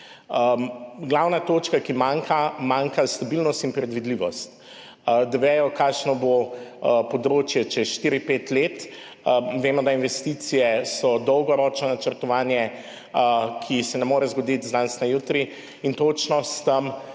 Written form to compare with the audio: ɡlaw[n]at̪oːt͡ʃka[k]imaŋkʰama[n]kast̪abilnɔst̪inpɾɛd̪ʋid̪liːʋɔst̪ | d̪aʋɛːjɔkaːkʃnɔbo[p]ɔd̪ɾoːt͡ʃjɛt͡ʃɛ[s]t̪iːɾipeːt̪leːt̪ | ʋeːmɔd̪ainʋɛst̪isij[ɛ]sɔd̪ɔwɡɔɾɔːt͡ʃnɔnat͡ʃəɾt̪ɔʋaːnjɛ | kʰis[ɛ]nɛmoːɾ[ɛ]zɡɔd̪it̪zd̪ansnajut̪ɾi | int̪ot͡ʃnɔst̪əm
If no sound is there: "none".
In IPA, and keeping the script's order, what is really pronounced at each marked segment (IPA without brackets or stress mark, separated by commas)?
n, k, ŋ, p, ʃ, ɛ, ɛ, ɛ